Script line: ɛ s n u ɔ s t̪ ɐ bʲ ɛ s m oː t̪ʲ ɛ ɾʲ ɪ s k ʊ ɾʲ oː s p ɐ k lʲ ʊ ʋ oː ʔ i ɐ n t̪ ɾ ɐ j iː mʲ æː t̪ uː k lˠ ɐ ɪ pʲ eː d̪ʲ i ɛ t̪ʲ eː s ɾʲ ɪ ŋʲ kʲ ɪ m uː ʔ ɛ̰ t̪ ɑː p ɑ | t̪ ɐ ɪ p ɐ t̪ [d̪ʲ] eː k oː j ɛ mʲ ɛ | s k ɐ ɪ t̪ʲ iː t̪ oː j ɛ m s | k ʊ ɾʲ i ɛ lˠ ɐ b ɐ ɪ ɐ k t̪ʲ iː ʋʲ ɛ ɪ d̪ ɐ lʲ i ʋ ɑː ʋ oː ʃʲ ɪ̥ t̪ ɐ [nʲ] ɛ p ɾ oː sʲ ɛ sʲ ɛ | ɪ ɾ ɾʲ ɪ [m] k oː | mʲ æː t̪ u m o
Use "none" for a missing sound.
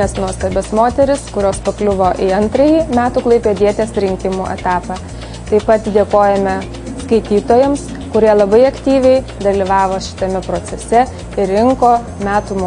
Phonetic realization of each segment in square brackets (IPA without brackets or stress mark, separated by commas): d̪ʲ, mʲ, ŋ